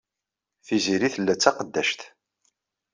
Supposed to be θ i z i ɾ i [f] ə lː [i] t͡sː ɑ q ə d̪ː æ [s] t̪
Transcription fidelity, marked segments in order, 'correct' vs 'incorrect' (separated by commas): incorrect, incorrect, incorrect